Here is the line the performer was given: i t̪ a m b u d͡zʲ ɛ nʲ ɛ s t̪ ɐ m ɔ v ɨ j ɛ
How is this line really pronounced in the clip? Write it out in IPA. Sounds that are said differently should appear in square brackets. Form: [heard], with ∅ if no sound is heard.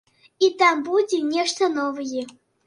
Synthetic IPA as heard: i t̪ a m b u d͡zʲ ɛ nʲ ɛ [ʂ] t̪ ɐ [n] ɔ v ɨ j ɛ